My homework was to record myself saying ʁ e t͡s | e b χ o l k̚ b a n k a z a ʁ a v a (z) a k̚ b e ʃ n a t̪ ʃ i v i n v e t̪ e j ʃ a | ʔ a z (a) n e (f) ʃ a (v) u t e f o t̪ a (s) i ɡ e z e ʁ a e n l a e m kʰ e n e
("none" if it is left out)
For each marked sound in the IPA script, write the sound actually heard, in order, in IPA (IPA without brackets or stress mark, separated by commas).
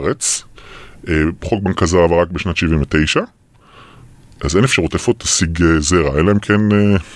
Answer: ʁ, e, f, ʁ, s